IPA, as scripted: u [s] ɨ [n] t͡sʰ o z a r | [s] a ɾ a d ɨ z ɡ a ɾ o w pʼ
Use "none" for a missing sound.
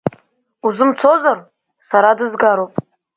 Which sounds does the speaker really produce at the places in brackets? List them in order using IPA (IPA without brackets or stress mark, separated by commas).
z, m, s